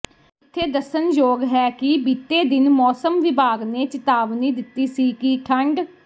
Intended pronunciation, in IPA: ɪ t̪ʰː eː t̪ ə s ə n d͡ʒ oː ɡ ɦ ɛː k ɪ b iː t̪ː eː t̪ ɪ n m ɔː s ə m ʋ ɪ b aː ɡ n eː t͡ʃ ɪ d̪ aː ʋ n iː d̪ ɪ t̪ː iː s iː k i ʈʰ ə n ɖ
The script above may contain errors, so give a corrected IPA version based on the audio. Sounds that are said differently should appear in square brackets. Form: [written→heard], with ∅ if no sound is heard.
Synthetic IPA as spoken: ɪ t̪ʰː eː [t̪→d̪] ə s ə n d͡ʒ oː ɡ ɦ ɛː k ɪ b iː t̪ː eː [t̪→d̪] ɪ n m ɔː s ə m ʋ ɪ b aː ɡ n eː t͡ʃ ɪ [d̪→t̪] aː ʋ n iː d̪ ɪ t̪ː iː s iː k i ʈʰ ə [n→ɳ] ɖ